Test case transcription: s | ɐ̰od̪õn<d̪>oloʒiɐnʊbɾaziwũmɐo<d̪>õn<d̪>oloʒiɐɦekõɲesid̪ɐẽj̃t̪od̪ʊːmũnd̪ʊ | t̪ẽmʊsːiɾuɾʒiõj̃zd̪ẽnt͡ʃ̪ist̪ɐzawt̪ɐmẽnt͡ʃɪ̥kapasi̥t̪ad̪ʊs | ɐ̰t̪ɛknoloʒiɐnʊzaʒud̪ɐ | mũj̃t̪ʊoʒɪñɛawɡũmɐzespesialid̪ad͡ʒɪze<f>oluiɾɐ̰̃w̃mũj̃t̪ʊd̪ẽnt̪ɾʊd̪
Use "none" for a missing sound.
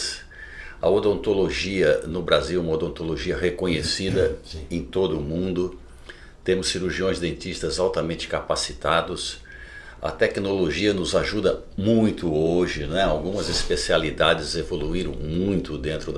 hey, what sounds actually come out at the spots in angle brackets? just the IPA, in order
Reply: t̪, d̪, t̪, v

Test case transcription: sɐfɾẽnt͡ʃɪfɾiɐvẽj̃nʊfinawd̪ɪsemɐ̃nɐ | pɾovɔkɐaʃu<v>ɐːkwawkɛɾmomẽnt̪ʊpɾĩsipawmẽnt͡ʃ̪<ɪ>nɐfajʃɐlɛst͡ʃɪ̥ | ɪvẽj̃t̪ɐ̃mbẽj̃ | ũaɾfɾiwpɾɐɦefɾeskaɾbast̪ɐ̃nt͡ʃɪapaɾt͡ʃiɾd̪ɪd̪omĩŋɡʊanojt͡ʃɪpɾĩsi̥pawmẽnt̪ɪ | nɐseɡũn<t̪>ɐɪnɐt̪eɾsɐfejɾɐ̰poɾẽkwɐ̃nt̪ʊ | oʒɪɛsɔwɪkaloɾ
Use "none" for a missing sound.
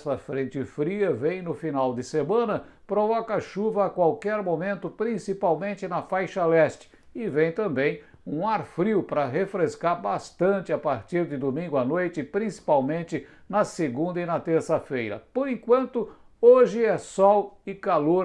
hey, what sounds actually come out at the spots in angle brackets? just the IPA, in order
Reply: v, ɪ, d̪

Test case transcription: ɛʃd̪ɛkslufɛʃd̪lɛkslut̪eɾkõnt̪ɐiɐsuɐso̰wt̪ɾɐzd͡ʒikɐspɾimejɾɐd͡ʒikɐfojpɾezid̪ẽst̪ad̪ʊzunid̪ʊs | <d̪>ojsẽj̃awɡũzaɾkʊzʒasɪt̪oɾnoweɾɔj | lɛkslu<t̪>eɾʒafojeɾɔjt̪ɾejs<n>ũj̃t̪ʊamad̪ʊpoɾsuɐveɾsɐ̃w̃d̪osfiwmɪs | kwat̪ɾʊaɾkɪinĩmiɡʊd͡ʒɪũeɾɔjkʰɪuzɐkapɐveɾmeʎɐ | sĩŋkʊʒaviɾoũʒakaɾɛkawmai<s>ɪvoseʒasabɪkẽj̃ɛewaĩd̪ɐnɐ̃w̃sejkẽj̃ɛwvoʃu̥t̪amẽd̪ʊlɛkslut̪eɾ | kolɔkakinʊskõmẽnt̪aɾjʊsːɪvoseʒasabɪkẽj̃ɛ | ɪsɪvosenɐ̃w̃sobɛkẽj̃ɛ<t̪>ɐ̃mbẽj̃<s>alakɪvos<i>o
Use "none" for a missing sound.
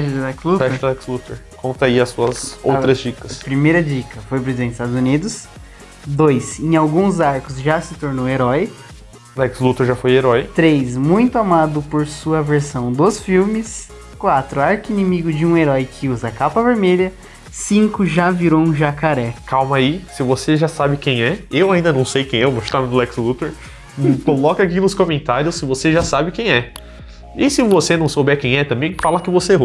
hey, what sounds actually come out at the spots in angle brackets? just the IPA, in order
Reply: d̪, t̪, m, s, t̪, f, e

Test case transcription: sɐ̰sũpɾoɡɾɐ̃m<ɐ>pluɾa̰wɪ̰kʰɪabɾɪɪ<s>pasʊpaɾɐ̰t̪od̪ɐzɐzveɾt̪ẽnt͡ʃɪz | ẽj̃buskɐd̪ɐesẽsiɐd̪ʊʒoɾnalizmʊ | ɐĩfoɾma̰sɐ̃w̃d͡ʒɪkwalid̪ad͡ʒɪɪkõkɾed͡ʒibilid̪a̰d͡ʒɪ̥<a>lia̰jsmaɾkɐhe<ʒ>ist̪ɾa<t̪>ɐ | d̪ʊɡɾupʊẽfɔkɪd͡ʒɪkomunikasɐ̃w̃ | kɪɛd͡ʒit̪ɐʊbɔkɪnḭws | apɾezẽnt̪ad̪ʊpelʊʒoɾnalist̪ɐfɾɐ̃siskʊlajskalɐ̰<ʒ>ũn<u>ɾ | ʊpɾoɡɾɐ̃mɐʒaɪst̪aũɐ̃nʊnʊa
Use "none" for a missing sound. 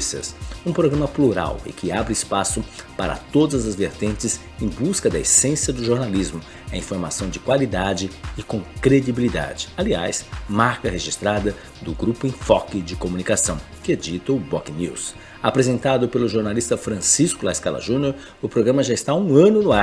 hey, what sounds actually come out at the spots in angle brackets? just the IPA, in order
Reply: ɐ, s, a, ʒ, d̪, ʒ, o

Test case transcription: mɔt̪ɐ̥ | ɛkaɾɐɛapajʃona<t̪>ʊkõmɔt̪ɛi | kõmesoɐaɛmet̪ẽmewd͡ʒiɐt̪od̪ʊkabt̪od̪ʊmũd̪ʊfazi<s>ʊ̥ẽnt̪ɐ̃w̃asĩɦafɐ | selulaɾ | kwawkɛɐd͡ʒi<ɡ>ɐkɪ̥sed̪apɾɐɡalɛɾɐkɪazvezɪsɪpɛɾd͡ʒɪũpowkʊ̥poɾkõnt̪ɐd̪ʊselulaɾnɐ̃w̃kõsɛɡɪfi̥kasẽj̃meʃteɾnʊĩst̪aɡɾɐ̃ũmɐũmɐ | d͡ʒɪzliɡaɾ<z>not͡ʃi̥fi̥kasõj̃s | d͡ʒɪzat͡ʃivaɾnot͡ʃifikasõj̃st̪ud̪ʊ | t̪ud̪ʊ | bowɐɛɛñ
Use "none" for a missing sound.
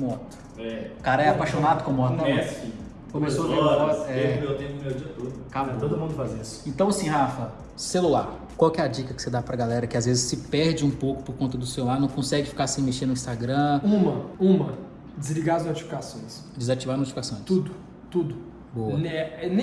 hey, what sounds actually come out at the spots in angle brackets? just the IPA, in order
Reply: d̪, s, k, z

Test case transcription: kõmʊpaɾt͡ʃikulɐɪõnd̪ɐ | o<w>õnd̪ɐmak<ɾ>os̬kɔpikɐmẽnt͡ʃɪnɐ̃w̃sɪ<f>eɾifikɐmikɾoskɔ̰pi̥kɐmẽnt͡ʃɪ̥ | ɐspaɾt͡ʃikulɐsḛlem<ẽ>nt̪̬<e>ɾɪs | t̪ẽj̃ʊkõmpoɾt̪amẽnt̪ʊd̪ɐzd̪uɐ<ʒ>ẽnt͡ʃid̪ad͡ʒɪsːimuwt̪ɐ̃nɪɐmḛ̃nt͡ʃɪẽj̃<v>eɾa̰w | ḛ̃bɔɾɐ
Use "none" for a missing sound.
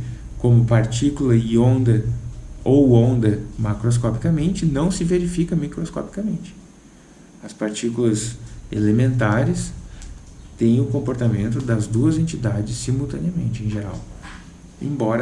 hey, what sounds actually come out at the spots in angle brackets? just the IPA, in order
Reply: w, ɾ, v, ẽ, a, z, ʒ

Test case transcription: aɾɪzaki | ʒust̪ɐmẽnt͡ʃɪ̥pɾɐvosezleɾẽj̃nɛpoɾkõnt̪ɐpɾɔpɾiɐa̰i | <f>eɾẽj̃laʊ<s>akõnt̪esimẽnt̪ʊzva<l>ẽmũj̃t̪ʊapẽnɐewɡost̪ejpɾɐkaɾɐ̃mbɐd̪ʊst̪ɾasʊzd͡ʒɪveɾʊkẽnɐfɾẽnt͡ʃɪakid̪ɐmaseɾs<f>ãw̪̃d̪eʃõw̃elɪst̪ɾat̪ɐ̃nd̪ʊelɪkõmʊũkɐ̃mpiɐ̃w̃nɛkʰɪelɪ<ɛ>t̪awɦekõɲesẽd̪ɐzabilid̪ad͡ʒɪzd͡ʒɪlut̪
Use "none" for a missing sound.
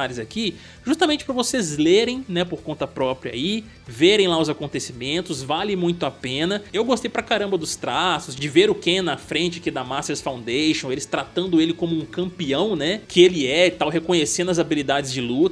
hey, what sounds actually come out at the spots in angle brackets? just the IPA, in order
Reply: v, z, l, f, ɛ

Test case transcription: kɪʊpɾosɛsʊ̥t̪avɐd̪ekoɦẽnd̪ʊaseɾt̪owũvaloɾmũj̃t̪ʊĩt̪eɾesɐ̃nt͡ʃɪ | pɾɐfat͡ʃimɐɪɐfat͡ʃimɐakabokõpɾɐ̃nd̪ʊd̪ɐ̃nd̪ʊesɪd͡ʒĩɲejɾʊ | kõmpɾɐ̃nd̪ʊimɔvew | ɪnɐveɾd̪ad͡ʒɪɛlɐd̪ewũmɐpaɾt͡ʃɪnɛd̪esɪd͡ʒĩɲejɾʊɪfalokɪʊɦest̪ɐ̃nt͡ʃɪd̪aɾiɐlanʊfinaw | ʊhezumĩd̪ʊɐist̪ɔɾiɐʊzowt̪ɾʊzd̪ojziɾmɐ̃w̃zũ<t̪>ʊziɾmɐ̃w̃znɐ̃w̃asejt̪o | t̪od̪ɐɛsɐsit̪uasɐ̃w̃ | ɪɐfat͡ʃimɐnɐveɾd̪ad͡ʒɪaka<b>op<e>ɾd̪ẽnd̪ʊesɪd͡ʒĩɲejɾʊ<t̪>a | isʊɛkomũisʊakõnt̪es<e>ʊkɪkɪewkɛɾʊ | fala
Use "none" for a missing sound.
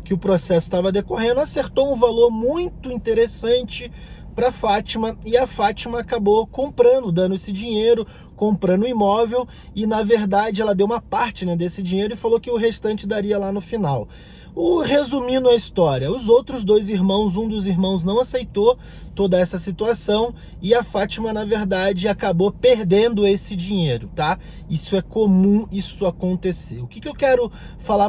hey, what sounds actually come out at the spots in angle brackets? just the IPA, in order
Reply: d̪, b, e, t̪, e

